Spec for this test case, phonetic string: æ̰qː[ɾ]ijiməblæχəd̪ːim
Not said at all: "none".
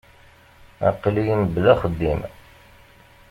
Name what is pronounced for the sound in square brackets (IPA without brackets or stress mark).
l